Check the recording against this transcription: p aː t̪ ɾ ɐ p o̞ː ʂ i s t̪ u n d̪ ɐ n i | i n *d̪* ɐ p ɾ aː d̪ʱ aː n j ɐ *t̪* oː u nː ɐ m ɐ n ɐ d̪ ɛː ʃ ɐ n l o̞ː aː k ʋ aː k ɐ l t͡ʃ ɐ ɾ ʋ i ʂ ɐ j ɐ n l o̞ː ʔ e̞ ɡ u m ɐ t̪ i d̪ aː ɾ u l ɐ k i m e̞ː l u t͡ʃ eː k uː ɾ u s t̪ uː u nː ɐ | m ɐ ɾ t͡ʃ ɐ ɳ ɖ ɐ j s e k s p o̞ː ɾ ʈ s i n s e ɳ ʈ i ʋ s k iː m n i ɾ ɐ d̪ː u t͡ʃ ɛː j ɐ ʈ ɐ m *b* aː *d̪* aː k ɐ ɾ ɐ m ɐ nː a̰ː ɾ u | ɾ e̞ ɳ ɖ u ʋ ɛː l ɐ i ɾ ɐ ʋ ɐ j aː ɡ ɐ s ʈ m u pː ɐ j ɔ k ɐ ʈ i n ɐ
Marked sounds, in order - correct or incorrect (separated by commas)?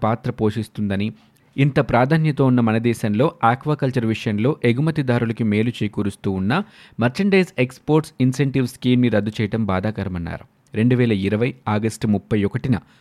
incorrect, correct, correct, correct